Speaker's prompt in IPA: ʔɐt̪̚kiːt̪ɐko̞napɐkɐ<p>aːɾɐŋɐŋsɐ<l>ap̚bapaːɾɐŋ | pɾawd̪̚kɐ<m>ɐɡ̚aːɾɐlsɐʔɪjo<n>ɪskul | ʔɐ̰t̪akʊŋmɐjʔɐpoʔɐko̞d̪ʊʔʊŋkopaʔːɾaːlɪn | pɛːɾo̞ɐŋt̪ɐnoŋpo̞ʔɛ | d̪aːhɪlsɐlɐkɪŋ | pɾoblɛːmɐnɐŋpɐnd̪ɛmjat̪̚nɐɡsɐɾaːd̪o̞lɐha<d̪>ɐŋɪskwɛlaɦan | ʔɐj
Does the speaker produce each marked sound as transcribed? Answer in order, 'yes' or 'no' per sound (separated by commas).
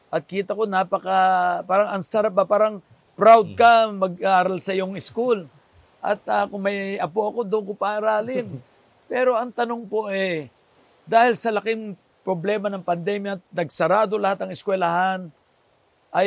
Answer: yes, no, yes, no, no